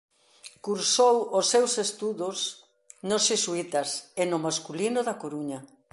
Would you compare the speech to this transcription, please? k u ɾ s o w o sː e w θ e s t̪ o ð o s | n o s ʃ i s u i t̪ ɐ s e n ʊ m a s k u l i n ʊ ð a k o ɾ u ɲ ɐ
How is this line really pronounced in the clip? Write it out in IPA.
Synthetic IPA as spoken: k u ɾ s o w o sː e w s e s t̪ u ð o s | n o s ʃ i s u i t̪ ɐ s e n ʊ m a s k u l i n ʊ ð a k o ɾ u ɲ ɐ